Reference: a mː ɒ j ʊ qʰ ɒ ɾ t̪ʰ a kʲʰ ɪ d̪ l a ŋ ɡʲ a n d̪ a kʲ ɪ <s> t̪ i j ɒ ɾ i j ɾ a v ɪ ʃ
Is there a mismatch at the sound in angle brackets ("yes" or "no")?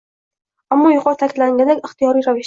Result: yes